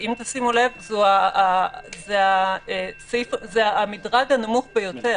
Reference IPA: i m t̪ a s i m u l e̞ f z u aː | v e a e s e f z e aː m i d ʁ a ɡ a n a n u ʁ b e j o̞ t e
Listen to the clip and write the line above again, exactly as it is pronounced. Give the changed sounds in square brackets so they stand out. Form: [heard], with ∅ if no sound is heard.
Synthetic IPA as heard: i m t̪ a s i m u l e̞ [v] z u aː | [z] e a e s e f z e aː m i d ʁ a ɡ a n a [m] u [χ] b e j o̞ t e